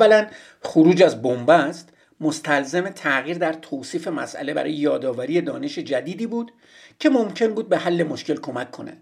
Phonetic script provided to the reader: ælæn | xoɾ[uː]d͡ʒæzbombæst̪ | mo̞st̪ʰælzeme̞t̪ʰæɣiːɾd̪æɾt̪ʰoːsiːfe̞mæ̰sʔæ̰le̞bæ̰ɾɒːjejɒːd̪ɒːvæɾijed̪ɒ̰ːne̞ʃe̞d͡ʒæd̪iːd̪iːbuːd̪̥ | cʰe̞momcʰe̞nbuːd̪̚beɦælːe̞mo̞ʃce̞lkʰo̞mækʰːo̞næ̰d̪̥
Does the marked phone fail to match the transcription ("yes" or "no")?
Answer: no